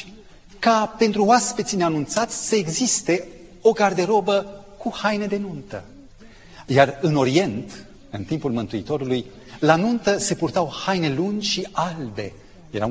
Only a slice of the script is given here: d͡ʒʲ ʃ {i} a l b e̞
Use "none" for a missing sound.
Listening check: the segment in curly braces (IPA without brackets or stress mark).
i